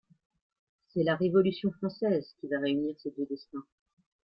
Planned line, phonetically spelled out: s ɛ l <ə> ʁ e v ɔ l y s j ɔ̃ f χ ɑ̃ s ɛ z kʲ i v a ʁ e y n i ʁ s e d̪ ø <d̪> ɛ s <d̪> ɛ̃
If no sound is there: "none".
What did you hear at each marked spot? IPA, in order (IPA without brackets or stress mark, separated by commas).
a, d̪, t̪